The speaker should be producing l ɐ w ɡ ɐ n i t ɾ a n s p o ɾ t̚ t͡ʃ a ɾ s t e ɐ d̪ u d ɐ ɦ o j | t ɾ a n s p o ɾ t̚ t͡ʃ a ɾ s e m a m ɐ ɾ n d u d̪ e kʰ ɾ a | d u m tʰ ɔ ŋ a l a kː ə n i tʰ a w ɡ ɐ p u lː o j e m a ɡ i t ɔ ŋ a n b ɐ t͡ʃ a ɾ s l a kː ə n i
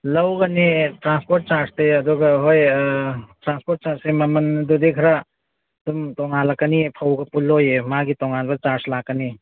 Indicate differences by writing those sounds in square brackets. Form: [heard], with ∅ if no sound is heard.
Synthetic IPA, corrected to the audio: l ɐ w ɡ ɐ n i t ɾ a n s p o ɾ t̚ t͡ʃ a ɾ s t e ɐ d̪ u [ɡ] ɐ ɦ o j | t ɾ a n s p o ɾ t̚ t͡ʃ a ɾ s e m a m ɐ [∅] n d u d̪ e kʰ ɾ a | d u m [t] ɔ ŋ a l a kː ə n i [pʰ] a w ɡ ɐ p u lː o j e m a ɡ i t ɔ ŋ a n b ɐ t͡ʃ a ɾ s l a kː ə n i

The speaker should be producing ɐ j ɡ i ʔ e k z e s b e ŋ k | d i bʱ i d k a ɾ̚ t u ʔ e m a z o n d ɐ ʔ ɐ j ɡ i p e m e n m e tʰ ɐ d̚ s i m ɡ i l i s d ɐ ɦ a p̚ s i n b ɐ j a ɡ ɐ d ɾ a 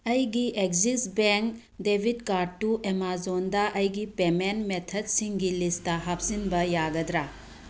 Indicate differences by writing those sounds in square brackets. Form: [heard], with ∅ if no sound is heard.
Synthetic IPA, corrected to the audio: ɐ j ɡ i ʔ e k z [i] s b e ŋ k | d [e] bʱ i d k a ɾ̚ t u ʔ e m a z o n d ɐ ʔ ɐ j ɡ i p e m e n m e tʰ ɐ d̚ s i [ŋ] ɡ i l i s [t] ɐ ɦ a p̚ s i n b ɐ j a ɡ ɐ d ɾ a

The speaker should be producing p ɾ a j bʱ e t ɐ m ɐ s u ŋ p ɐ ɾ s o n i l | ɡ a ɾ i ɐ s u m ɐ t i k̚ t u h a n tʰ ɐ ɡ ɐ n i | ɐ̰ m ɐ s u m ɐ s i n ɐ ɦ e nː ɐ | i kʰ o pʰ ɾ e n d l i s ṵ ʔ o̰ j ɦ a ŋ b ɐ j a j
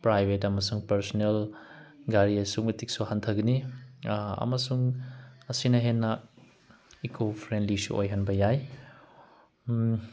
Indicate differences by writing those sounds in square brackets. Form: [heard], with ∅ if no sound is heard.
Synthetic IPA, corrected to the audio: p ɾ a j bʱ e t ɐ m ɐ s u ŋ p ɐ ɾ s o n [e] l | ɡ a ɾ i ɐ s u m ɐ t i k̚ [s] u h a n tʰ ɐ ɡ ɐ n i | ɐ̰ m ɐ s u [ŋ] ɐ s i n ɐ ɦ e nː ɐ | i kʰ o pʰ ɾ e n d l i s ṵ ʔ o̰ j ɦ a [n] b ɐ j a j

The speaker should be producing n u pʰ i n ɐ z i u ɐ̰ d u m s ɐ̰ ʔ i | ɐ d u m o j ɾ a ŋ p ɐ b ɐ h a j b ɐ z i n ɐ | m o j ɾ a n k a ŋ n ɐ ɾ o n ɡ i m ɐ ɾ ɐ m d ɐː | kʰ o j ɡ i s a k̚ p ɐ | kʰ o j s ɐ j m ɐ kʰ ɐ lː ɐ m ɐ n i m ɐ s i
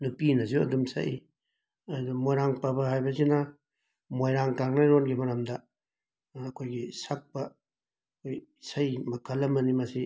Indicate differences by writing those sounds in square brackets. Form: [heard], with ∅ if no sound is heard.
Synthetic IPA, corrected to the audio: n u [p] i n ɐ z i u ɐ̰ d u m s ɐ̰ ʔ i | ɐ d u m o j ɾ a ŋ p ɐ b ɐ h a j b ɐ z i n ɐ | m o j ɾ a [ŋ] k a ŋ n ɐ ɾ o n ɡ i m ɐ ɾ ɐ m d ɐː | kʰ o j ɡ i s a k̚ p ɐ | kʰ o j s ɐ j m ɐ kʰ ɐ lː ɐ m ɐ n i m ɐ s i

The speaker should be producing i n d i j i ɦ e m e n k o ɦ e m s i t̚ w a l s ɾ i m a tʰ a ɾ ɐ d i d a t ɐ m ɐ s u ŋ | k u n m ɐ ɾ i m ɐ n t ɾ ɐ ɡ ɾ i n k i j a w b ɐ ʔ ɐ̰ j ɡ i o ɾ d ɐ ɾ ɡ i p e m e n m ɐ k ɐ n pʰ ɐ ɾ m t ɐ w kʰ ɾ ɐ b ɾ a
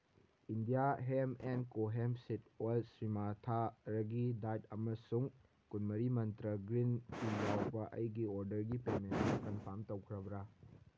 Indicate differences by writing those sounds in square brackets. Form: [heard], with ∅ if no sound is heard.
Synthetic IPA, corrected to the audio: i n d i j [a] ɦ e m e n k o ɦ e m s i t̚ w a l s ɾ i m a tʰ a ɾ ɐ [ɡ] i d a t ɐ m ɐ s u ŋ | k u n m ɐ ɾ i m ɐ n t ɾ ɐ ɡ ɾ i n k i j a w b ɐ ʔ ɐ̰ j ɡ i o ɾ d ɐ ɾ ɡ i p e m e n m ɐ k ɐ n pʰ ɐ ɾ m t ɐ w kʰ ɾ ɐ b ɾ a

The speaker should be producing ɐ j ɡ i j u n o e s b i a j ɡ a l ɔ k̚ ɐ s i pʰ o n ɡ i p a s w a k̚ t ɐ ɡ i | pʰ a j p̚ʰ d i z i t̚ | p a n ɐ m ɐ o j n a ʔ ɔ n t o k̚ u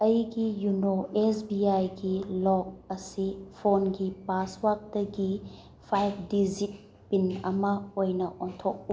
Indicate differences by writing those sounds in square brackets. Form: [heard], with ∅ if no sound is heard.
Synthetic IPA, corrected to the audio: ɐ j ɡ i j u n o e s b i a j ɡ [i] l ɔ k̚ ɐ s i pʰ o n ɡ i p a s w a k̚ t ɐ ɡ i | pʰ a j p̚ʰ d i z i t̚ | p [i] n ɐ m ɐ o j n [ɐ] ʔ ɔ n [tʰ] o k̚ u

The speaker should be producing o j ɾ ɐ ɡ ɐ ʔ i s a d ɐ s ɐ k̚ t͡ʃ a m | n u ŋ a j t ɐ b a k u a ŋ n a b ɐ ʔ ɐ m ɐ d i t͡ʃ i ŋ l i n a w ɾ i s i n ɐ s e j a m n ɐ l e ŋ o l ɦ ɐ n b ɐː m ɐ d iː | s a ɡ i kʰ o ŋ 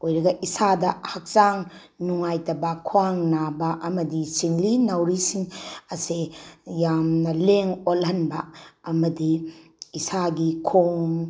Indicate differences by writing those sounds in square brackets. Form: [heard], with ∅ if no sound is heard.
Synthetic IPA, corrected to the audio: o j ɾ ɐ ɡ ɐ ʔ i s a d ɐ [h] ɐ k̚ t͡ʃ a [ŋ] | n u ŋ a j t ɐ b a [kʰ] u a ŋ n a b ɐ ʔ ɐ m ɐ d i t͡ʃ i ŋ l i n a w ɾ i s i [ŋ] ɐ s e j a m n ɐ l e ŋ o l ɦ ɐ n b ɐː m ɐ d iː | s a ɡ i kʰ o ŋ

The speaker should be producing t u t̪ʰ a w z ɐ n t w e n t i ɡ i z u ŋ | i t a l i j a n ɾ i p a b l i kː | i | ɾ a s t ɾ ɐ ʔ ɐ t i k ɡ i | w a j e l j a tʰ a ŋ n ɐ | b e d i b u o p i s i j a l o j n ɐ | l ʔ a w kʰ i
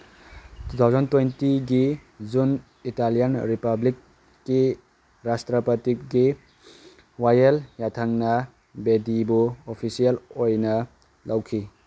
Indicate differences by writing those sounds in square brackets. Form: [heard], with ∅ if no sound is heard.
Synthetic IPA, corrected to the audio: t u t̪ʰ a w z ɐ n t w e n t i ɡ i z u [n] | i t a l i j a n ɾ i p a b l i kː | i | ɾ a s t ɾ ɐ [p] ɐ t i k ɡ i | w a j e l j a tʰ a ŋ n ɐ | b e d i b u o [pʰ] i s i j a l o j n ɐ | l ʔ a w kʰ i

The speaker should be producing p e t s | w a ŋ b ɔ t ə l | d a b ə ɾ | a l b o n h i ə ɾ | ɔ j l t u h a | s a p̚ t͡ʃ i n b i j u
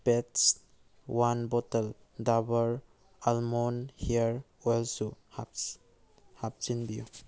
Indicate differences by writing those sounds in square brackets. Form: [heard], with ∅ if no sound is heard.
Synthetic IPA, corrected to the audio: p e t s | w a [n] b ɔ t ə l | d a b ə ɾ | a l [m] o n h i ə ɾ | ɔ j l [s] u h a | [h] a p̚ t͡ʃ i n b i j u

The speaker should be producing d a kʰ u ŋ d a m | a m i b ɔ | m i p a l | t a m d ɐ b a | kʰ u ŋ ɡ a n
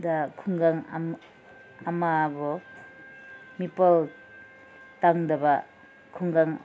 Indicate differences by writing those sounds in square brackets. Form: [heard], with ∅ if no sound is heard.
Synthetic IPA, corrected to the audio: d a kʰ u ŋ [ɡ] a [ŋ] | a m [a] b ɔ | m i p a l | t a [ŋ] d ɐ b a | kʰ u ŋ ɡ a [ŋ]

